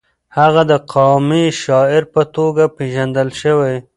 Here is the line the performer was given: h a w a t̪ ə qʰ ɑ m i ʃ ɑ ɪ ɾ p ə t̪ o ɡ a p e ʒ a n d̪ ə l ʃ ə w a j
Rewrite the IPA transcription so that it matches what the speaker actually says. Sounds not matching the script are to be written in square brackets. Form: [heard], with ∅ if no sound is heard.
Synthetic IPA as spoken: h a [ɣ] a [d̪] ə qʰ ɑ m i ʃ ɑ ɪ ɾ p ə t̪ o ɡ a p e ʒ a n d̪ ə l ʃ ə w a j